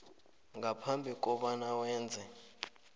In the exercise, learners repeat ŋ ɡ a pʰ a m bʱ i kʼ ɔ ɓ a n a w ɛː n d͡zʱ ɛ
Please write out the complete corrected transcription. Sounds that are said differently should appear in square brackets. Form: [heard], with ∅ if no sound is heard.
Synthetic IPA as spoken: ŋ ɡ a pʰ a m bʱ i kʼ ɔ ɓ a n a w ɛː n d͡zʱ ɛ

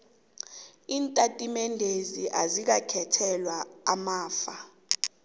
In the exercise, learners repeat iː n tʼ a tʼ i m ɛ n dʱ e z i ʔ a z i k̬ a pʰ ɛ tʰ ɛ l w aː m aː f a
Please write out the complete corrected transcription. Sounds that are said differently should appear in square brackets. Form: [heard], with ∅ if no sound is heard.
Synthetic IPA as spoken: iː n tʼ a tʼ i m ɛ n dʱ e z i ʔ a z i k̬ a [kʰ] ɛ tʰ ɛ l w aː m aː f a

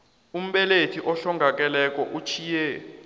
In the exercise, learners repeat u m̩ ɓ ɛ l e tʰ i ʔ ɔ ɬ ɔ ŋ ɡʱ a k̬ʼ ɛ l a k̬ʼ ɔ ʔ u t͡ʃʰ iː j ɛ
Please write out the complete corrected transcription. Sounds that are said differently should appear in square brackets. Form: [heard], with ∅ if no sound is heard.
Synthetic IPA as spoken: u m̩ ɓ ɛ l e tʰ i ʔ ɔ ɬ ɔ ŋ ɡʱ a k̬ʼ ɛ l [ɛ] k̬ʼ ɔ ʔ u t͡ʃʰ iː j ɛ

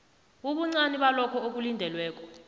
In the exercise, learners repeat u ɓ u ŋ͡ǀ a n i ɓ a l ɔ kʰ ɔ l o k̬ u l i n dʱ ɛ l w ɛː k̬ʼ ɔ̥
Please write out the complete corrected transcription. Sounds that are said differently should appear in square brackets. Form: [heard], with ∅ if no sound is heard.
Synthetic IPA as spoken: u ɓ u ŋ͡ǀ a n i ɓ a l ɔ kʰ ɔ [∅] o k̬ u l i n dʱ ɛ l w ɛː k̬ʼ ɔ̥

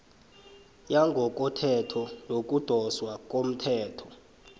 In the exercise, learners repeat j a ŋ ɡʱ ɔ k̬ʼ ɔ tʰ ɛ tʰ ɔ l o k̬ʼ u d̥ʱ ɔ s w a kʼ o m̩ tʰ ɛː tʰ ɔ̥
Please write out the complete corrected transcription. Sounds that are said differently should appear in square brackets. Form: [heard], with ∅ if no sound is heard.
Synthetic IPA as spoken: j a ŋ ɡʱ ɔ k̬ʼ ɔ tʰ ɛ tʰ ɔ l o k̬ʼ u d̥ʱ ɔ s w a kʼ o m̩ tʰ ɛː tʰ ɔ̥

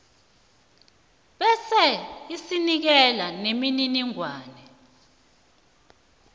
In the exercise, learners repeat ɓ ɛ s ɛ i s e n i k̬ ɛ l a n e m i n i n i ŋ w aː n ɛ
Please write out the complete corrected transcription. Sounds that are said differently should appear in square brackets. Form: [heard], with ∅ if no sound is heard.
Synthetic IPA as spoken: ɓ ɛ s ɛ i s [i] n i k̬ ɛ l a n e m i n i n i ŋ w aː n ɛ

